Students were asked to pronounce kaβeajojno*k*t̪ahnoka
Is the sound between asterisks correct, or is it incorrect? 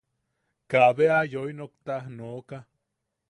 correct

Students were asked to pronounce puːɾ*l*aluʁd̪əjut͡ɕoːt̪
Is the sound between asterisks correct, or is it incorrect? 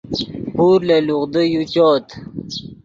correct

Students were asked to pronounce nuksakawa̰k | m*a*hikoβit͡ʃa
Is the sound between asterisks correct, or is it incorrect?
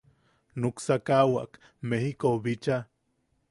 incorrect: e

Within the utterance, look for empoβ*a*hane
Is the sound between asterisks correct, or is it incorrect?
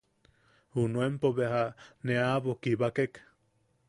incorrect: e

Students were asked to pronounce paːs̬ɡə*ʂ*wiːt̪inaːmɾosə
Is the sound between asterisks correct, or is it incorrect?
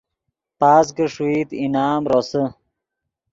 correct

